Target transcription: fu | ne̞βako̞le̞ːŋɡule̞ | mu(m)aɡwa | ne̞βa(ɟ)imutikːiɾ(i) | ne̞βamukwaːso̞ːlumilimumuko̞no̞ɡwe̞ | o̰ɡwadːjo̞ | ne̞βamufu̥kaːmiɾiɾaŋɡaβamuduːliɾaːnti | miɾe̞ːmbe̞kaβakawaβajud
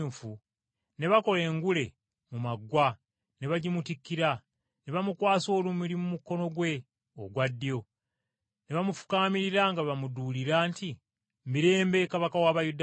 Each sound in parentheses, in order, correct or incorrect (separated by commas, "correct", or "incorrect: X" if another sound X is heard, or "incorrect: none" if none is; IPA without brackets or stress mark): correct, correct, incorrect: a